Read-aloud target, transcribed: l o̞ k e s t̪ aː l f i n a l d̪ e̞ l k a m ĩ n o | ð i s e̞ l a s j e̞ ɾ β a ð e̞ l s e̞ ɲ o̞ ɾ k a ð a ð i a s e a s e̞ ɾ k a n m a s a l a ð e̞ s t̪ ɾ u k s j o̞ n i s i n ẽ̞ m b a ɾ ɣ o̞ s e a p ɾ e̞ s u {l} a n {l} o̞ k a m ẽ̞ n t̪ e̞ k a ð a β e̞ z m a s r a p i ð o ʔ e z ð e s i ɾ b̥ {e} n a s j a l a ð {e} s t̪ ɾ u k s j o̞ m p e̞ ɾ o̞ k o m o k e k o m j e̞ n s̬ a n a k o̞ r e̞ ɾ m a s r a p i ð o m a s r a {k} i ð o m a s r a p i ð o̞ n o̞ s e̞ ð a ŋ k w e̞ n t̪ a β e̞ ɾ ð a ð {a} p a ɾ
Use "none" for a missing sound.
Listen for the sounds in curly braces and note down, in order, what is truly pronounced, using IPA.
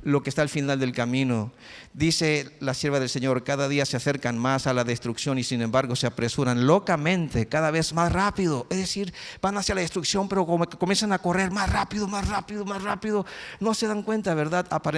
ɾ, l, a, e, p, a

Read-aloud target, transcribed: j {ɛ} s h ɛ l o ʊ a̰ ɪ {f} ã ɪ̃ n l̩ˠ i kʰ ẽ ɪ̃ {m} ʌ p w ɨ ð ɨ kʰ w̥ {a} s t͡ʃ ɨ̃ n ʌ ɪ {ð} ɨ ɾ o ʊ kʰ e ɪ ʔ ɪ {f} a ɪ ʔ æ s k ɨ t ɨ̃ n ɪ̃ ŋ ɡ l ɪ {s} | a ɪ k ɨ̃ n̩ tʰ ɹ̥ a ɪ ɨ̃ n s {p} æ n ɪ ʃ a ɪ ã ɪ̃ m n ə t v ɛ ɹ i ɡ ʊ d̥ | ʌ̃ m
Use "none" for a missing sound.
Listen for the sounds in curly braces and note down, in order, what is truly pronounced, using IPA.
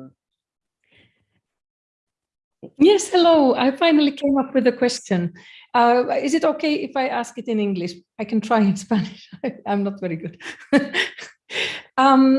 ɛ, f, m, ɛ, z, f, ʃ, p

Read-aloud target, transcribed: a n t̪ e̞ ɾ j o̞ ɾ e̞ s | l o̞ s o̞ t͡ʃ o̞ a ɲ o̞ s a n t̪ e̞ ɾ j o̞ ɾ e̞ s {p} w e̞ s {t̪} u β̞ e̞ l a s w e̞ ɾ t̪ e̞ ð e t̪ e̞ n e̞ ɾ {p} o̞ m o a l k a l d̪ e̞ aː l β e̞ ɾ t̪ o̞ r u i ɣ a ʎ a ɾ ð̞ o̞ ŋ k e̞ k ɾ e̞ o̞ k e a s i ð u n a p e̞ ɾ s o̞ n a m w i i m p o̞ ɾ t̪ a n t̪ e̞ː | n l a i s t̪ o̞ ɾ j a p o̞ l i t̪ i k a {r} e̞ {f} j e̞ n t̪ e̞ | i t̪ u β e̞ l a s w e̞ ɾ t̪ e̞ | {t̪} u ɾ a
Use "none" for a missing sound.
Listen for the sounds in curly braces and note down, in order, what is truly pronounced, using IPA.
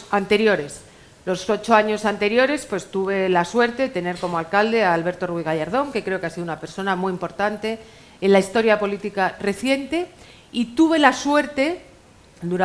p, t̪, k, r, θ, d̪

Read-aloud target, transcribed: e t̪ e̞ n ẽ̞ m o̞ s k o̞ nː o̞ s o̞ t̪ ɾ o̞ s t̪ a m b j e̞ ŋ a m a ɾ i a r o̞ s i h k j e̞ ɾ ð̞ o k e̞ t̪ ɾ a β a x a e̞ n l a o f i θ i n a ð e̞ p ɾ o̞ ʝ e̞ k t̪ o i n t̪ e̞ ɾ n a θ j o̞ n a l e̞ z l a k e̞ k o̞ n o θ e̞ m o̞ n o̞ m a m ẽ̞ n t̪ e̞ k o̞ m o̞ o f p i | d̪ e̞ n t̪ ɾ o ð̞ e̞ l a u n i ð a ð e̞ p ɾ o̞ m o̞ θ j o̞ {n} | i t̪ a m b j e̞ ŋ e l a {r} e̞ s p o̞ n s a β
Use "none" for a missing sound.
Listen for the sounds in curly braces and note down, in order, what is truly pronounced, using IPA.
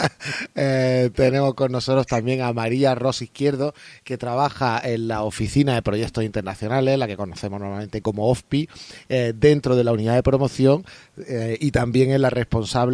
ŋ, r

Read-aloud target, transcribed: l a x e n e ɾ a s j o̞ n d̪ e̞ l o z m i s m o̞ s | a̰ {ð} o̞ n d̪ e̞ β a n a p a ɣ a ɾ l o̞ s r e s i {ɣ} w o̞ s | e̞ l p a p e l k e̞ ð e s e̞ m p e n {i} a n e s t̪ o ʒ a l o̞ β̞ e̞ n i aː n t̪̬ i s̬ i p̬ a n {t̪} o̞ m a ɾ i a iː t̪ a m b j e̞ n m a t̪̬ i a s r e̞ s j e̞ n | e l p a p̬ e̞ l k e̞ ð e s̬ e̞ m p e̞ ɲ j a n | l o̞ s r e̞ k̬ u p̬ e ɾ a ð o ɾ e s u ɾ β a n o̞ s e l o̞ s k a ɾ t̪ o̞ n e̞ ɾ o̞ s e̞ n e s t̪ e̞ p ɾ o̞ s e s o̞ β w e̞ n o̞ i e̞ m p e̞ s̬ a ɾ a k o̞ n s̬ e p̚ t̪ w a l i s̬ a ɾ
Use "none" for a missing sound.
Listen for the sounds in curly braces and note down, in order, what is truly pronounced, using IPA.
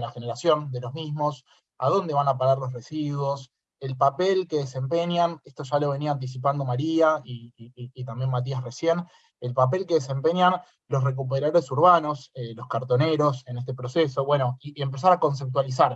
ð, ð, j, d̪

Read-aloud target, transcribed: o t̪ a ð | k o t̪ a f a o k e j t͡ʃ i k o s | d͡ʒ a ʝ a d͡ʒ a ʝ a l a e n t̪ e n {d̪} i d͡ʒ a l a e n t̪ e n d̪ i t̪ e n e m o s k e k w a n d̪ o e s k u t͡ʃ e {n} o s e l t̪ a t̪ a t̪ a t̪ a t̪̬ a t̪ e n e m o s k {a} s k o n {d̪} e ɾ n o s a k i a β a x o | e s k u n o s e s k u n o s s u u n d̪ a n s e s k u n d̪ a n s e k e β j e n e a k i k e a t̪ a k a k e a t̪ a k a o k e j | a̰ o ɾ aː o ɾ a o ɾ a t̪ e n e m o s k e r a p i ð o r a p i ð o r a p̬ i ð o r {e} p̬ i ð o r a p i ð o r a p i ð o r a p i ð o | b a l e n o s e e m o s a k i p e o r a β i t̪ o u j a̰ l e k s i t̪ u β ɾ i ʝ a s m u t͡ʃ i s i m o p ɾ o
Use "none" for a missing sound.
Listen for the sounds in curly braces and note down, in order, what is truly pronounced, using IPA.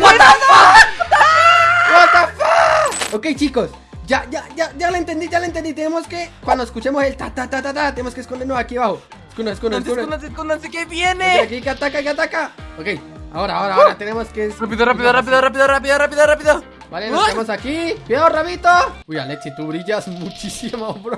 d̪, m, e, d̪, a

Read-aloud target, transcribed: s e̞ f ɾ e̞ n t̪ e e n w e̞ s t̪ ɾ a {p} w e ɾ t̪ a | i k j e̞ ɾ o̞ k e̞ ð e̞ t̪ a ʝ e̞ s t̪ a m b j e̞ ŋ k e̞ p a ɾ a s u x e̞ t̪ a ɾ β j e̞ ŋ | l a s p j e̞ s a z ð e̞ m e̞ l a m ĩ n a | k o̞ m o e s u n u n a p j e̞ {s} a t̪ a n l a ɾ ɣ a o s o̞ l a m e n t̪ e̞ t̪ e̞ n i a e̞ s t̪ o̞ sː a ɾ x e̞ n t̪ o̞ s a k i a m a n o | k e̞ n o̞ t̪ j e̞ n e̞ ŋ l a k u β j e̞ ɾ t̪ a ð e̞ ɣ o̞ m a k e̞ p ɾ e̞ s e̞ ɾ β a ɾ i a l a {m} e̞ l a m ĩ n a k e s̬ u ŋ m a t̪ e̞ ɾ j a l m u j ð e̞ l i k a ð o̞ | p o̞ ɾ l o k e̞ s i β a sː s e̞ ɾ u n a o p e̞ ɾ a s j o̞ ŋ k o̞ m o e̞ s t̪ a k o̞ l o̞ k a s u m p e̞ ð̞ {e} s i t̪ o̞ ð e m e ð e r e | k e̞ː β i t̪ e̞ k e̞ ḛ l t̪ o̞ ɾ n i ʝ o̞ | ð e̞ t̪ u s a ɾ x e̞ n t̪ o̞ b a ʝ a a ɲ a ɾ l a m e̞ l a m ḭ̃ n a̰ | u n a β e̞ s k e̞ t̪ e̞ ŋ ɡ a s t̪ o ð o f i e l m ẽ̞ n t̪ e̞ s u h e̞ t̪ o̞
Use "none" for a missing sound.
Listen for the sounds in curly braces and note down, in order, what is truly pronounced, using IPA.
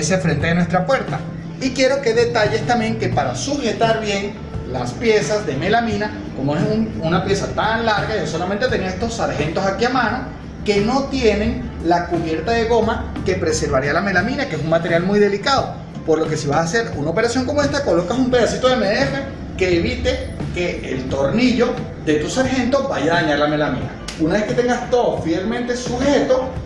p, s, m, a

